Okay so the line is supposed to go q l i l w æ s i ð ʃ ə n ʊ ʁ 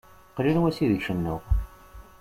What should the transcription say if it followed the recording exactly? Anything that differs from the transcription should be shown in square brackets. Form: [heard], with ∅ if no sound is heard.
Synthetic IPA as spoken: q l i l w æ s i ð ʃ ə [nː] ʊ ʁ